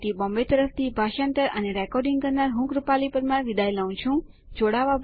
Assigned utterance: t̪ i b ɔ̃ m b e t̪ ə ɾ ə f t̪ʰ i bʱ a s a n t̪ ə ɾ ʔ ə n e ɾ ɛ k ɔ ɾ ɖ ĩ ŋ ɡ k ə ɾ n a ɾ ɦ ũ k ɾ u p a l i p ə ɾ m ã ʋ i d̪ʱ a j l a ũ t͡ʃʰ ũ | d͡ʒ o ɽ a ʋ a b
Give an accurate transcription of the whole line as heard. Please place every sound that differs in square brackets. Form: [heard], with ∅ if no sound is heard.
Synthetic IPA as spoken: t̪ i b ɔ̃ m b e t̪ ə ɾ ə f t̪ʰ i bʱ a [ʃ] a n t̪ ə ɾ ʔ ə n e ɾ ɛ k ɔ ɾ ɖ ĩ ŋ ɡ k ə ɾ n a ɾ ɦ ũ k ɾ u p a l i p ə ɾ m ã ʋ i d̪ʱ a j l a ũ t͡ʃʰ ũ | d͡ʒ o ɽ a ʋ a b